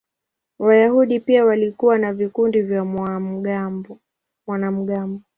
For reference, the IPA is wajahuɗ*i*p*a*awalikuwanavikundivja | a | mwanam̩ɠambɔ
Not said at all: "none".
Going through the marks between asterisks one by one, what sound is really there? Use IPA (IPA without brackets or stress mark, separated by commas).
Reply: i, i